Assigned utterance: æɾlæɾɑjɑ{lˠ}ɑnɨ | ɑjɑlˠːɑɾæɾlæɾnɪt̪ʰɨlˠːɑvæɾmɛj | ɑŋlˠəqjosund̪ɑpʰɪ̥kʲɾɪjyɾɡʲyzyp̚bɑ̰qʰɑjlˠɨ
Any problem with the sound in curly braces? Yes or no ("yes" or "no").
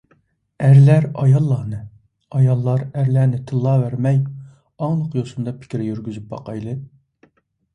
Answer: yes